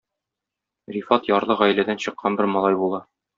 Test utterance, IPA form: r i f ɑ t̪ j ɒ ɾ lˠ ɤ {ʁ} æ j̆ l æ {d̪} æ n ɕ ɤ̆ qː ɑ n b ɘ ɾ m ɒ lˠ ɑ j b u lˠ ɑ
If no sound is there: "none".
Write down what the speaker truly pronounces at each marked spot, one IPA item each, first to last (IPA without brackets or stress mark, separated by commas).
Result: ʁ, d̪